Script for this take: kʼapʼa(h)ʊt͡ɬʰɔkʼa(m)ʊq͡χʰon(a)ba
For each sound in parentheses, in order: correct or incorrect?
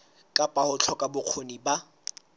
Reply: correct, incorrect, incorrect

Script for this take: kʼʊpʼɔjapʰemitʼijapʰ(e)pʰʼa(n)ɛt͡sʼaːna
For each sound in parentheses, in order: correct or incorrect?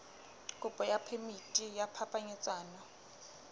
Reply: incorrect, incorrect

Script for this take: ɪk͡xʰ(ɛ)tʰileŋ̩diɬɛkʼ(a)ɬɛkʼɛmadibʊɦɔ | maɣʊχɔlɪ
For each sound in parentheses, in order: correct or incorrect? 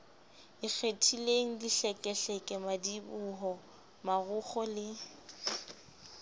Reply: incorrect, incorrect

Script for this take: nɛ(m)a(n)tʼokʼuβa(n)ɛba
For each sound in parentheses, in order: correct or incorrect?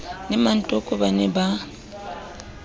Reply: correct, correct, correct

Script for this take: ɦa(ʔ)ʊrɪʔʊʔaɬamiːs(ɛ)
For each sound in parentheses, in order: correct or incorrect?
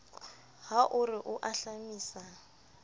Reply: correct, incorrect

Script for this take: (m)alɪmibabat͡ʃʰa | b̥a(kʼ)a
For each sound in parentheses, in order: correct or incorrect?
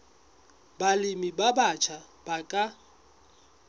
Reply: incorrect, correct

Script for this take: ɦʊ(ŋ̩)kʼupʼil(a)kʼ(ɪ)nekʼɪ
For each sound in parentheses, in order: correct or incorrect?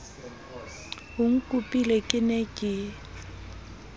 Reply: correct, incorrect, correct

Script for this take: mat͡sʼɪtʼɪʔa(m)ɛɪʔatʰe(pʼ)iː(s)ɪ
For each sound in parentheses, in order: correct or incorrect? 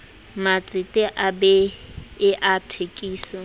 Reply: incorrect, incorrect, correct

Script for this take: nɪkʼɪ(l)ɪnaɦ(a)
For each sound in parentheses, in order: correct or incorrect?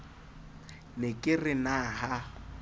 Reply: incorrect, correct

